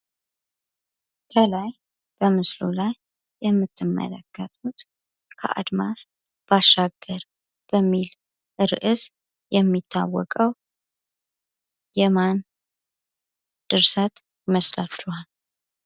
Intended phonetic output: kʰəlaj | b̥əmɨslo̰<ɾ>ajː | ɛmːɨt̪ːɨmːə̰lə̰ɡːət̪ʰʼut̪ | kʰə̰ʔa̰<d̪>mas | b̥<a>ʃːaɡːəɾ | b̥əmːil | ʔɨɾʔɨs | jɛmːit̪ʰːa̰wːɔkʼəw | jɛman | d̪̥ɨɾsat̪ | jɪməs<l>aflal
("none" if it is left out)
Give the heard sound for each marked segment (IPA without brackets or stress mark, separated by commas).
l, d̪, a, l